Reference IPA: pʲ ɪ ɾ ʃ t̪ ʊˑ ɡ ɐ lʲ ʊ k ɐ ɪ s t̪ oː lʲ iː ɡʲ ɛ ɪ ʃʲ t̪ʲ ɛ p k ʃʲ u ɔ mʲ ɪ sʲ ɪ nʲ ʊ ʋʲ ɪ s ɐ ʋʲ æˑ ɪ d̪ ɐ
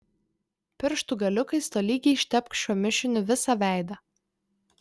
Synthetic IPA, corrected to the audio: pʲ ɪ ɾ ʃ t̪ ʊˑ ɡ ɐ lʲ ʊ k ɐ ɪ s t̪ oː lʲ iː ɡʲ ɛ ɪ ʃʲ t̪ʲ ɛ p k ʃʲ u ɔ mʲ ɪ ʃʲ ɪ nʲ ʊ ʋʲ ɪ s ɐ ʋʲ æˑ ɪ d̪ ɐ